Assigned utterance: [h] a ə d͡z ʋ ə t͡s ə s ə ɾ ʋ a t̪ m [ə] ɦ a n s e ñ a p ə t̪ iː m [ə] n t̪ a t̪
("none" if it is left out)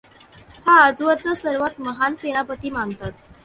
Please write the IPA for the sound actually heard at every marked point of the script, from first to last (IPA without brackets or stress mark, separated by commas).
h, ə, a